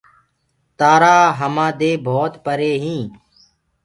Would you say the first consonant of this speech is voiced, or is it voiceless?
voiceless